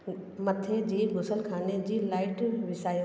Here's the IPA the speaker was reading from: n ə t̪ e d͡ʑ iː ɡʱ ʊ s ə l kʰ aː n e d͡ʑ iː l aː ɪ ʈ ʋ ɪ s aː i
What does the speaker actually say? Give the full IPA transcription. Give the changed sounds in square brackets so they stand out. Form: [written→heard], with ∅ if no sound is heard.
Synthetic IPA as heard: [n→m] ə [t̪→t̪ʰ] e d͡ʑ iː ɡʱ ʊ s ə l kʰ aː n e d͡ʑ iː l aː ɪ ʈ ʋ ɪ s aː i